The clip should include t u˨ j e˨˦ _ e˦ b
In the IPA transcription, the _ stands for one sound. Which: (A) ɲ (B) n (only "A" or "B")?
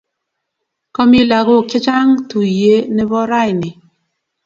B